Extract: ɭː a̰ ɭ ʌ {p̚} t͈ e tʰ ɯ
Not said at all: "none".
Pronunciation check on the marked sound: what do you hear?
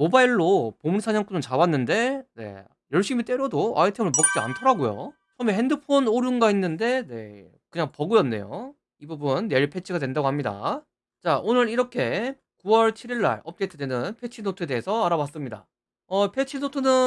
p̚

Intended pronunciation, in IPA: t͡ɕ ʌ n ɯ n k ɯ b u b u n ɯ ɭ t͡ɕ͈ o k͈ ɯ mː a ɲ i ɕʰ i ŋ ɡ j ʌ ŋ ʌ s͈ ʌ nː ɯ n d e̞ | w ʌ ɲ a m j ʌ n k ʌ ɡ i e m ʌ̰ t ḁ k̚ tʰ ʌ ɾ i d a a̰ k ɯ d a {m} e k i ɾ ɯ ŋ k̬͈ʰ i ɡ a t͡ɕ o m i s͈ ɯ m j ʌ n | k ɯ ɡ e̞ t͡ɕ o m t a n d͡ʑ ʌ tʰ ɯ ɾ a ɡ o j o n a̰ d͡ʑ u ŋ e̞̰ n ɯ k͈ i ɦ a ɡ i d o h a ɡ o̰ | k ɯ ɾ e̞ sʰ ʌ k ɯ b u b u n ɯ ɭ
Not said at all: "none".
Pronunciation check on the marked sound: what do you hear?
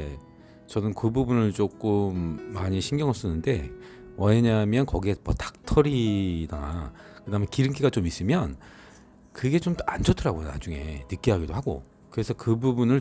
m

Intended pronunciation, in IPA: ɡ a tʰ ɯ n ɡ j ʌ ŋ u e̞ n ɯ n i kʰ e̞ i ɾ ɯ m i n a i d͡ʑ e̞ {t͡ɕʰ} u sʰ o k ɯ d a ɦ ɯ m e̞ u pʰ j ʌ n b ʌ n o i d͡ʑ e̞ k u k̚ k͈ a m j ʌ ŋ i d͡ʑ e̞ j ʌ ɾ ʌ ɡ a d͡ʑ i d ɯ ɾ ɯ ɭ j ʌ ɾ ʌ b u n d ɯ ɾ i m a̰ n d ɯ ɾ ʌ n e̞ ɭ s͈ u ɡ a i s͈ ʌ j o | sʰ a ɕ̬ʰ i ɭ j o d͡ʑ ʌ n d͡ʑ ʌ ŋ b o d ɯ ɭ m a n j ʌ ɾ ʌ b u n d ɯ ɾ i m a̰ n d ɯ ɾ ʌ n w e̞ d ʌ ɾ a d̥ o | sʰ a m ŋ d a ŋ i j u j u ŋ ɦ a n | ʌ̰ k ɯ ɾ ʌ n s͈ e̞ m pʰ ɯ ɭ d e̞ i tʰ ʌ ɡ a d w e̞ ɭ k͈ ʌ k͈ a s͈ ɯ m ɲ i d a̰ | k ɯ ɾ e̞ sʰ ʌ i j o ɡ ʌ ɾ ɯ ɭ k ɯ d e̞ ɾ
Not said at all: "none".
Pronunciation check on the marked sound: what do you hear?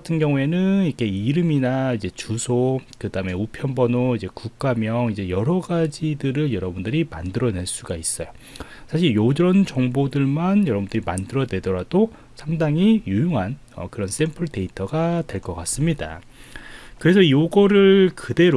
t͡ɕ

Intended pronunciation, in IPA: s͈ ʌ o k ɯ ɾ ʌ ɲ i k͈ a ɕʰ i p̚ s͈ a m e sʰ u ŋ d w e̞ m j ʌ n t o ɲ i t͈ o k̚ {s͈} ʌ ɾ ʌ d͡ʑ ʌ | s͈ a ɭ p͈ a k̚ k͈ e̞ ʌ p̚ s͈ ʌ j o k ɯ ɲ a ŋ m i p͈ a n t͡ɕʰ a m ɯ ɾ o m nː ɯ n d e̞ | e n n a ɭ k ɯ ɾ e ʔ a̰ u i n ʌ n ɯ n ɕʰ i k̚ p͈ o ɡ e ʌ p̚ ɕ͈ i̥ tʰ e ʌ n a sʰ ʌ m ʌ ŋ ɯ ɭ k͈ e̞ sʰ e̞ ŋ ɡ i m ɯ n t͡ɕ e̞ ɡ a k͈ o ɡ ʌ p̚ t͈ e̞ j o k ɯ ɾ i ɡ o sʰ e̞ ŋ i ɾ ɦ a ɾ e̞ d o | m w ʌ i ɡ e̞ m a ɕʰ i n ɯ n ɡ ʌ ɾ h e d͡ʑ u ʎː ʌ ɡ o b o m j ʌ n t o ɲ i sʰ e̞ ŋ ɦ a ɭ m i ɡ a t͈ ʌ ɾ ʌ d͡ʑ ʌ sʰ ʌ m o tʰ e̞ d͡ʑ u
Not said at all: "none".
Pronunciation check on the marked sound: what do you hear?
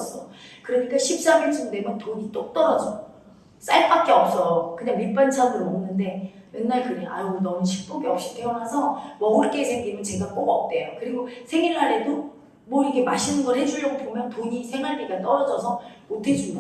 t͈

